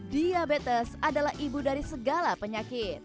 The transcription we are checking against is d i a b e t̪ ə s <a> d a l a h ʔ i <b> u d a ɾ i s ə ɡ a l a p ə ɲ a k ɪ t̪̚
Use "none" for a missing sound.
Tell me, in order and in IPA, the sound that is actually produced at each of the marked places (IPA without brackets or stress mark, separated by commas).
a, b